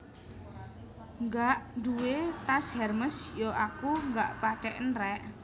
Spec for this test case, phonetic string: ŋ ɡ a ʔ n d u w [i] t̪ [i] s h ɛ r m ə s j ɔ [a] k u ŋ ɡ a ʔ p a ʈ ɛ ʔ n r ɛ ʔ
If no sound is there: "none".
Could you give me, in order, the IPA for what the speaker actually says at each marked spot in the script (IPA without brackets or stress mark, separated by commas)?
e, a, a